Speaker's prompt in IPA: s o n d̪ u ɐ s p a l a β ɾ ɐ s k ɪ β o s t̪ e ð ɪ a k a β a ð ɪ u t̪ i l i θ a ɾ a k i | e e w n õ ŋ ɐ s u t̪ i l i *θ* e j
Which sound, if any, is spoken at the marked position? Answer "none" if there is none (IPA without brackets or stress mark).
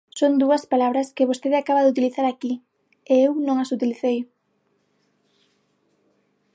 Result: θ